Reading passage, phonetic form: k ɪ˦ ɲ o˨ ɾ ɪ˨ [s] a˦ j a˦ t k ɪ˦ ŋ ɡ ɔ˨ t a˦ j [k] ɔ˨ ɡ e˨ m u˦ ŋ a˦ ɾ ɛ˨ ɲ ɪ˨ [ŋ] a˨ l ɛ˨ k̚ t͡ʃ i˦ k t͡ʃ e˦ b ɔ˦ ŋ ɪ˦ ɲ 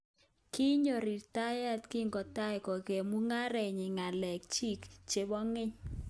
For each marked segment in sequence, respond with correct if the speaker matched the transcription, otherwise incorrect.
incorrect, correct, correct

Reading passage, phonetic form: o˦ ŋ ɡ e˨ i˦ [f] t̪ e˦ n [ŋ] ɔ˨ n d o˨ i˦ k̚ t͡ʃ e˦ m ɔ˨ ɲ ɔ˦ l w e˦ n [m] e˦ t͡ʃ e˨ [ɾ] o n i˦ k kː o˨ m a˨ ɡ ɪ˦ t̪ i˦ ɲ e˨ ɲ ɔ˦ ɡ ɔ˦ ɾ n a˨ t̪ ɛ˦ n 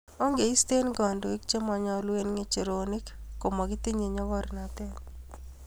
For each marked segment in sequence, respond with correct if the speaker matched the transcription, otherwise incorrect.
incorrect, incorrect, incorrect, correct

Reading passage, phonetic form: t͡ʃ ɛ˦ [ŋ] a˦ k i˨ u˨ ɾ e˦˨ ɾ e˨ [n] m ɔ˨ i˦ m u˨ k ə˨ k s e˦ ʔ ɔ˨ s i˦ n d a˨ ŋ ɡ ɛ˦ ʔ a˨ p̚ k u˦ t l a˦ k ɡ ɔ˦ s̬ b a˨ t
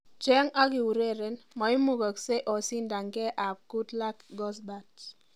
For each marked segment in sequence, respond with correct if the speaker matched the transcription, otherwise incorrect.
correct, correct

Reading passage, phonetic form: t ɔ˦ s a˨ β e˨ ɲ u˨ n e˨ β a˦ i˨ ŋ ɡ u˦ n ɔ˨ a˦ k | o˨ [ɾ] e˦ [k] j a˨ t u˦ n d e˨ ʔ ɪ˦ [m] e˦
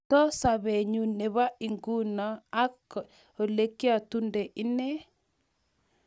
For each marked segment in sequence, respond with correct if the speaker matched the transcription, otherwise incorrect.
incorrect, correct, incorrect

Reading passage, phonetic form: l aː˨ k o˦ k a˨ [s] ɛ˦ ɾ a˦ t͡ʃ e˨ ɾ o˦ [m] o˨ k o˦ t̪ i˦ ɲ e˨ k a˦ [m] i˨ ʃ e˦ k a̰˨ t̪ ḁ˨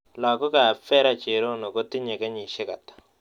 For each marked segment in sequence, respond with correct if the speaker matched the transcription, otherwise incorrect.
incorrect, incorrect, incorrect

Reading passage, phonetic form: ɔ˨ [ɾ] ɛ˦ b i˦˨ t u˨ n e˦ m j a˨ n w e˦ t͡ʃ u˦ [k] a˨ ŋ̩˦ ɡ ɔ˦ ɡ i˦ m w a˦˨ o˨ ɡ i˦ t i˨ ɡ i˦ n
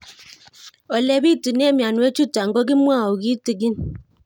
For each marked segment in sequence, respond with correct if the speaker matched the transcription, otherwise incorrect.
incorrect, incorrect

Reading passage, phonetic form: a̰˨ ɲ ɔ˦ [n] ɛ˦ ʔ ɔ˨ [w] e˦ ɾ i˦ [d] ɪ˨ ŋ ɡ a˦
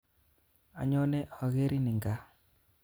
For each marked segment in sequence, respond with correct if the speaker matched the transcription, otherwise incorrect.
correct, incorrect, incorrect

